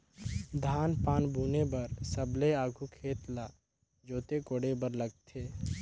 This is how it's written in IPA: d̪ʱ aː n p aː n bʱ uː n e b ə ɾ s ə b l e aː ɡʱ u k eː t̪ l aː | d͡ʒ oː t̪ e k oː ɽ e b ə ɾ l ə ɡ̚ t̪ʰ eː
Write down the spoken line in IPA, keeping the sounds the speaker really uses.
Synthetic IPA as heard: d̪ʱ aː n p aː n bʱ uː n e b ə ɾ s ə b l e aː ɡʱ u kʰ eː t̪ l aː | d͡ʒ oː t̪ e k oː ɽ e b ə ɾ l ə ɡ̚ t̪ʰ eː